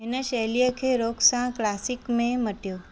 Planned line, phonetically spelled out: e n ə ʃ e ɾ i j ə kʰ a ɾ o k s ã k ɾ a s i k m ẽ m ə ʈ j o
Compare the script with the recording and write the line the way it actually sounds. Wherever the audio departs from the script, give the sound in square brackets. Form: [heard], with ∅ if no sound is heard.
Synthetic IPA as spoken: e n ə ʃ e [l] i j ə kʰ [e] ɾ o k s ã k [l] a s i k m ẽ m ə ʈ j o